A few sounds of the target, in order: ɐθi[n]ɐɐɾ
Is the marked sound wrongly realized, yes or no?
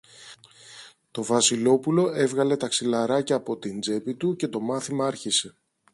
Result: yes